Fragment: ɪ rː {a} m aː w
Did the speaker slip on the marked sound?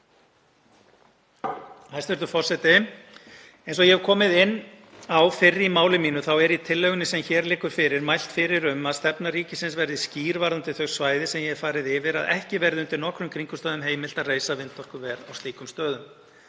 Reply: yes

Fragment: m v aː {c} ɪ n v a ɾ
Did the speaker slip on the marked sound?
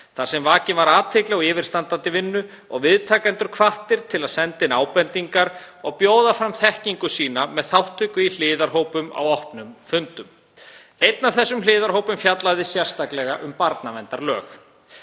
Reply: no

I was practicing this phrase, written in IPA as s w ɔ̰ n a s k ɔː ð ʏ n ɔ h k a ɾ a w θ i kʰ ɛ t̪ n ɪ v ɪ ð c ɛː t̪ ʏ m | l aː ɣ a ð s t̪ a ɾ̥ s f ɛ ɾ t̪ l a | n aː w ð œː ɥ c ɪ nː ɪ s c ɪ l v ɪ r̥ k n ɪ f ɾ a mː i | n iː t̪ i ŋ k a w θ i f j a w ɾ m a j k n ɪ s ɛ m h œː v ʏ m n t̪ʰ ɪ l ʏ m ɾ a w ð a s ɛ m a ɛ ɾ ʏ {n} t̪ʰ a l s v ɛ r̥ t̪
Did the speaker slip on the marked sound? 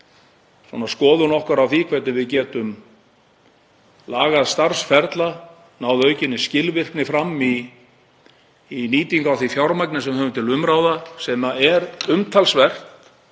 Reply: yes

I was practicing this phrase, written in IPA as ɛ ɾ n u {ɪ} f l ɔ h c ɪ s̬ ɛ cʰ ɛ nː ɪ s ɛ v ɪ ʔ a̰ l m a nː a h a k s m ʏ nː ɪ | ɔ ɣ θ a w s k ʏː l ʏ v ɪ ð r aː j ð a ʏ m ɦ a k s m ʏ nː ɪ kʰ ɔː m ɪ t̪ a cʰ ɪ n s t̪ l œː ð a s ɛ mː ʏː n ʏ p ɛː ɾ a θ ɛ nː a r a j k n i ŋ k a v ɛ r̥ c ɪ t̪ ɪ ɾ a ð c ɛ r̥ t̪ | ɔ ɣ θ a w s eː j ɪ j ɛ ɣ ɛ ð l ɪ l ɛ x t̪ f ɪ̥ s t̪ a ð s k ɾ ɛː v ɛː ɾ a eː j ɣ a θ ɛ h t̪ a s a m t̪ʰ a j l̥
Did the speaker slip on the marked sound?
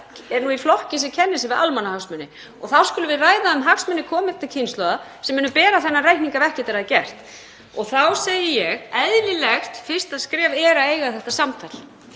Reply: yes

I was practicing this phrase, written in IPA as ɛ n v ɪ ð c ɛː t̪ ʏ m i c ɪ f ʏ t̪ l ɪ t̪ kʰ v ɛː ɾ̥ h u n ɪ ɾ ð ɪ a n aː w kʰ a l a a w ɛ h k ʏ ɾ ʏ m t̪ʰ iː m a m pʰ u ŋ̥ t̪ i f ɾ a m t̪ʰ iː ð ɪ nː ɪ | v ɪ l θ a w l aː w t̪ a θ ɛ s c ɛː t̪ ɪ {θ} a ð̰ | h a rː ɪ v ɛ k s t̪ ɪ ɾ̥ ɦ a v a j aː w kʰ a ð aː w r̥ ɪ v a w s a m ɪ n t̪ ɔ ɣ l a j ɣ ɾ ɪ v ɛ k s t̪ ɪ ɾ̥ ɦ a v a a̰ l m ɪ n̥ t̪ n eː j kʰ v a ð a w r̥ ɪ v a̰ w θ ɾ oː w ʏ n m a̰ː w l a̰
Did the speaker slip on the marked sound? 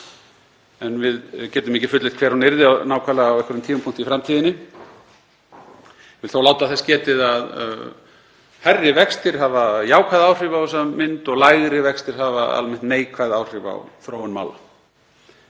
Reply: yes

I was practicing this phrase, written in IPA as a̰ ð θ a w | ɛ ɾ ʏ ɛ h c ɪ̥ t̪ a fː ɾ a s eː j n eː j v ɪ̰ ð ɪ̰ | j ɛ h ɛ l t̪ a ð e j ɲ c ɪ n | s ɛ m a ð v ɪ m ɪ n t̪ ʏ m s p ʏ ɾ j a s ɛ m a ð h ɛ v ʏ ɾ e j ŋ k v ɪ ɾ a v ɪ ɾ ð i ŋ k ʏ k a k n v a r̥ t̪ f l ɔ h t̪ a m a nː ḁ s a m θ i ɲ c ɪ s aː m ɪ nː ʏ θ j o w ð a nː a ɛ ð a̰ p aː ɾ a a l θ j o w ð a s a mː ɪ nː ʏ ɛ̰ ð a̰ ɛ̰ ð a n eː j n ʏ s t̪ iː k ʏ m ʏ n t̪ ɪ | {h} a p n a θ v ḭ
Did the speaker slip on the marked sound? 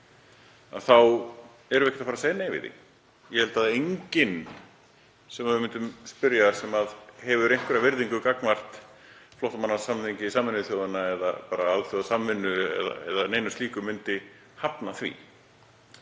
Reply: no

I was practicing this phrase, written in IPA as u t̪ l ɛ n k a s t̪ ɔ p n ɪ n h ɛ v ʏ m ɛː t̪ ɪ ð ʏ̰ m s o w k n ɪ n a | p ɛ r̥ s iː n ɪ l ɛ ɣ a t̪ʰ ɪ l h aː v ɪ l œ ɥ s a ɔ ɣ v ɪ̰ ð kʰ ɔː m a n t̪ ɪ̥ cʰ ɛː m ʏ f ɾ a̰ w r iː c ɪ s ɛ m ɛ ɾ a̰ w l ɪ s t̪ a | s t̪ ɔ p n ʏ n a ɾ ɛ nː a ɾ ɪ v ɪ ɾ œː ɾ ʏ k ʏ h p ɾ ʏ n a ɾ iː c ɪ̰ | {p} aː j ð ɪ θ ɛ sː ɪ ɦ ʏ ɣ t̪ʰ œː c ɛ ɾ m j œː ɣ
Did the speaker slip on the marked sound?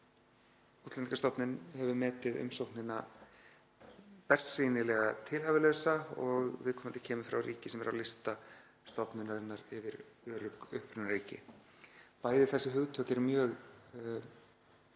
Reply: no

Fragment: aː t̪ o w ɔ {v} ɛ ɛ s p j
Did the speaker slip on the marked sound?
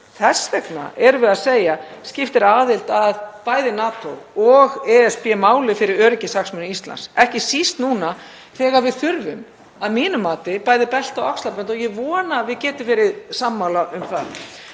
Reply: yes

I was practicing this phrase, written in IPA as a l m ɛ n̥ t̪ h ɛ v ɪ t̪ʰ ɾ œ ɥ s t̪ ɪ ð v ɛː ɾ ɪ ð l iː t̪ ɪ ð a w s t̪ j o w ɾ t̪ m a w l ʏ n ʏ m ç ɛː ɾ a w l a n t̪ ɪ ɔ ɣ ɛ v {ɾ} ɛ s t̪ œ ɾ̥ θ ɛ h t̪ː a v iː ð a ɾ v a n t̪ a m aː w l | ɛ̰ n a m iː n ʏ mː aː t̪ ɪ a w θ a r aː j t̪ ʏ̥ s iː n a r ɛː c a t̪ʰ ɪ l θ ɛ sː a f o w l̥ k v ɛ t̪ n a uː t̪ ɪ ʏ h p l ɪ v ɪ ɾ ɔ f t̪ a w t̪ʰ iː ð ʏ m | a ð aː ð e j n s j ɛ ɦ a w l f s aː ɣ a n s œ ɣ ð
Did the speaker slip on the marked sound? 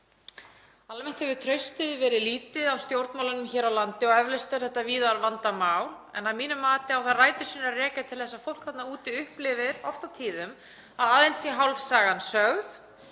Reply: yes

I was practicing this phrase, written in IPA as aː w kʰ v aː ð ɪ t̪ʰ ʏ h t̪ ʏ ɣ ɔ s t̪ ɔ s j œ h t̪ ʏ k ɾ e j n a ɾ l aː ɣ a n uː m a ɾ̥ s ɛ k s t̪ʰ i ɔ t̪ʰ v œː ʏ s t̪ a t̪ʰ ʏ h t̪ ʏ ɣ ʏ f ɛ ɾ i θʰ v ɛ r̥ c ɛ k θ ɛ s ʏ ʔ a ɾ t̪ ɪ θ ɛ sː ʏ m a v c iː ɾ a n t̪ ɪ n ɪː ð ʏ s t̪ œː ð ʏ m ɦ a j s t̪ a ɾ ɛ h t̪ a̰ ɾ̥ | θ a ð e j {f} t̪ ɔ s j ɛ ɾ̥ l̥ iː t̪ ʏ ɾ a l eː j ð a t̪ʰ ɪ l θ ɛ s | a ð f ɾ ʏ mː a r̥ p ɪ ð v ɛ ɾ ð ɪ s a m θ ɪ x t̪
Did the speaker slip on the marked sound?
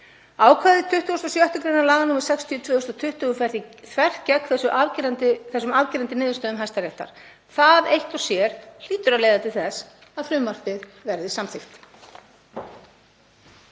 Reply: yes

